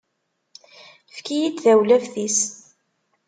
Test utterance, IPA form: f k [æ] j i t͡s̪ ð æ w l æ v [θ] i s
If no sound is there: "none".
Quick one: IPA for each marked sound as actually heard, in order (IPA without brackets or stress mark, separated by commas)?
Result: i, θ